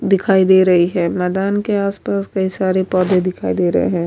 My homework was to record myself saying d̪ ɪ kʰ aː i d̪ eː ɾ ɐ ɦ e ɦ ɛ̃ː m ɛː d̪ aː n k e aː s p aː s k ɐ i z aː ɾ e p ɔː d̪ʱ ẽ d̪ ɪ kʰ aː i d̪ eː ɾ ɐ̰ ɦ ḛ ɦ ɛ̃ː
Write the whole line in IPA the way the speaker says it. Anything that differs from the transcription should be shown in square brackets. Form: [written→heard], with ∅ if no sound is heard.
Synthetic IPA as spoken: d̪ ɪ kʰ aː i d̪ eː ɾ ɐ ɦ [e→i] ɦ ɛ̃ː m ɛː d̪ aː n k e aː s p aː s k ɐ i [z→s] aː ɾ e p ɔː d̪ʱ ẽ d̪ ɪ kʰ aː i d̪ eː ɾ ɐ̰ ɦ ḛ ɦ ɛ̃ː